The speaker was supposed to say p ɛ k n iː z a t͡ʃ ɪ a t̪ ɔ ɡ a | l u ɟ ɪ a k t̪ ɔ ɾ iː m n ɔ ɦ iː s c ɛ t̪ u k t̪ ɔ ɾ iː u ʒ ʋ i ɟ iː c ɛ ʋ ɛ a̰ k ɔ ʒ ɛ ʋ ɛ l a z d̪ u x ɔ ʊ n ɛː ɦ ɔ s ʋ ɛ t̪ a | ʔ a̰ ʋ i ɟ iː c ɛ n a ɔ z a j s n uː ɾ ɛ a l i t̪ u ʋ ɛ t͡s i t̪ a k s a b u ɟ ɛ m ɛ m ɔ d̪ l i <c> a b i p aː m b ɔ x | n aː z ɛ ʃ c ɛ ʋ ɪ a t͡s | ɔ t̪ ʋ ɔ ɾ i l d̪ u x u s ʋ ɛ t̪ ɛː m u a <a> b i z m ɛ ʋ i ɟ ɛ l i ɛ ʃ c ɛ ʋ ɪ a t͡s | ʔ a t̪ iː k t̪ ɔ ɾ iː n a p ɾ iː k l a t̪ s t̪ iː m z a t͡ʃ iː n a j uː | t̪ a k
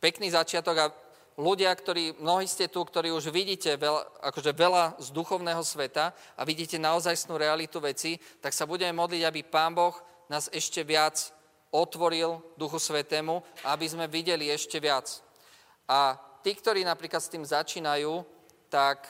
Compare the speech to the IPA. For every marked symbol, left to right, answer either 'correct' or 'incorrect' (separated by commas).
incorrect, correct